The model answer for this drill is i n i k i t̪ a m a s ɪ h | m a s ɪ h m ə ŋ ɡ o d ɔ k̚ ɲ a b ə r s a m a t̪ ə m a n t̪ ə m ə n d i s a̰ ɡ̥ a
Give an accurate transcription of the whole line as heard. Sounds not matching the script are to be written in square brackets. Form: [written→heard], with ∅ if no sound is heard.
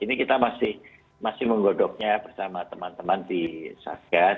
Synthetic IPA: i n i k i t̪ a m a s ɪ h | m a s ɪ h m ə ŋ ɡ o d ɔ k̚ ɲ a b ə r s a m a t̪ ə m a n t̪ ə m [ə→a] n d i s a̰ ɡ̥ a